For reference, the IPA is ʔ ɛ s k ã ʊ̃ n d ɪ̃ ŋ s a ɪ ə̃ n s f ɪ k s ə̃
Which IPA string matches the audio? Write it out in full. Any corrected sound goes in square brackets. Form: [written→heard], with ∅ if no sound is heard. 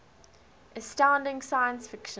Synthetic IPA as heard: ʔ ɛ s [k→t] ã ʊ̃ n d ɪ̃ ŋ s a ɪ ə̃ n s f ɪ k [s→ʃ] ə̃